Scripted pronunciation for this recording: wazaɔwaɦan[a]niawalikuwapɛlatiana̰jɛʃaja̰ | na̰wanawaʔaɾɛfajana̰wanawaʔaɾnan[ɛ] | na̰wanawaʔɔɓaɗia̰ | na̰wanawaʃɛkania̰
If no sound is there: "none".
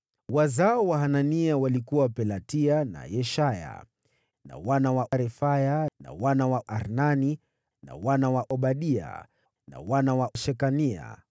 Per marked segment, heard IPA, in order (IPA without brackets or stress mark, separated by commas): a, i